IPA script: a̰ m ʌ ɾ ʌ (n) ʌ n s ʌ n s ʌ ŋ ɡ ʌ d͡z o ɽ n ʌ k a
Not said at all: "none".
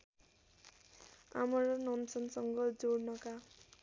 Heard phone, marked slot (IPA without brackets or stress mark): n